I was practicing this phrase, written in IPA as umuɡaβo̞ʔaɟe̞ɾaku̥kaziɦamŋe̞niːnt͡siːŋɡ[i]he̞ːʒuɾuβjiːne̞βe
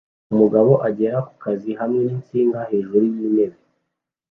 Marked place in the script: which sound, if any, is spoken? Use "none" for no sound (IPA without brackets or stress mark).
a